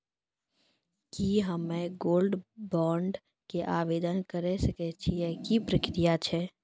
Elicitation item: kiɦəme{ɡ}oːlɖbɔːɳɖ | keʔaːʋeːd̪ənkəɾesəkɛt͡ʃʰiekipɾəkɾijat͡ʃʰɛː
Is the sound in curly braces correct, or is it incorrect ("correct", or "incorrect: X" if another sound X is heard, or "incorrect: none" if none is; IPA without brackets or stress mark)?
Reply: correct